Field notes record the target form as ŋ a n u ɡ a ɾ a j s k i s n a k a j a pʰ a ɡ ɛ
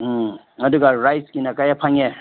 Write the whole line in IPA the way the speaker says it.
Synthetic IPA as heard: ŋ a d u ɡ a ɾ a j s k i n a k a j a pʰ a ŋ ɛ